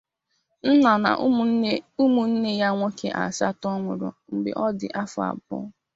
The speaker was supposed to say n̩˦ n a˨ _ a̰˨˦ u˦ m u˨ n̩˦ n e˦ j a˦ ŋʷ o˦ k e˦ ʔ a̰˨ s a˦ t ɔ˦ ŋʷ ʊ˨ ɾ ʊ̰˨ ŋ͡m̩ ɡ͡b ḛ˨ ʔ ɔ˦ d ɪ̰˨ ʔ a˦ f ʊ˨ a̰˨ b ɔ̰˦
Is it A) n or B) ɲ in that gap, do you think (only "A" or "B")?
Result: A